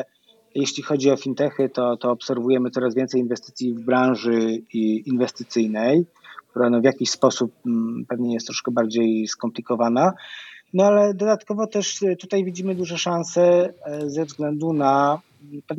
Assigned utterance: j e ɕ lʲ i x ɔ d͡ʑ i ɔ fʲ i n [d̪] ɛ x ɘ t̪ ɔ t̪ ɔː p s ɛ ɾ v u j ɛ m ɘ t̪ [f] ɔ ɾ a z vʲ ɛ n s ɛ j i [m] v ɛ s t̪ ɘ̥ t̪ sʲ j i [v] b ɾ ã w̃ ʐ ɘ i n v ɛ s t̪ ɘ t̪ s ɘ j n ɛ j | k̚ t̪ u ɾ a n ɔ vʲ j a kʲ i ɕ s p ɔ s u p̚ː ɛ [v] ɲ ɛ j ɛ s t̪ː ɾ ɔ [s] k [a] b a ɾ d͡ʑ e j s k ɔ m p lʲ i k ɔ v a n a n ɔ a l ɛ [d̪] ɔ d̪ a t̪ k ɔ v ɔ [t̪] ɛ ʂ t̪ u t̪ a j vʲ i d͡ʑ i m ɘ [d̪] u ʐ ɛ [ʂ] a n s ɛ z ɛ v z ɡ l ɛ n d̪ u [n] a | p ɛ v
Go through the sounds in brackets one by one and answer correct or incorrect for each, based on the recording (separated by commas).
incorrect, incorrect, incorrect, correct, correct, incorrect, incorrect, correct, correct, correct, correct, correct